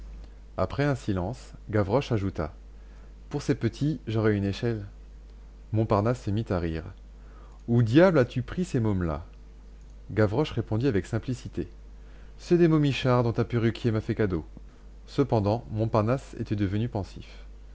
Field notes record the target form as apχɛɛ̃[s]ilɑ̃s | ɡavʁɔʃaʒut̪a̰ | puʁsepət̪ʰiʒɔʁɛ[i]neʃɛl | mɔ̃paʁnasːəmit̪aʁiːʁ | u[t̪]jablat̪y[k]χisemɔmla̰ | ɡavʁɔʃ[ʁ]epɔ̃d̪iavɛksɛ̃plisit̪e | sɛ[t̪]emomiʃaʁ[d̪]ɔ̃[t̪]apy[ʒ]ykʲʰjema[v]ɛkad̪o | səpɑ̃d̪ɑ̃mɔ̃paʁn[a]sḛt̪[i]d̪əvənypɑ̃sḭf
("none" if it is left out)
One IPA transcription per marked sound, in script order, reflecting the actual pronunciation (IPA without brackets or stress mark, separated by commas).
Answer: s, y, d̪, p, ʁ, d̪, d̪, t̪, ʁ, f, a, ɛ